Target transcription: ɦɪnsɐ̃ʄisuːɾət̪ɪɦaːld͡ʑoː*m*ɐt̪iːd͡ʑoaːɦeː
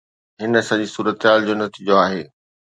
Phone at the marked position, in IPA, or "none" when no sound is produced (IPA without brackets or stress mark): n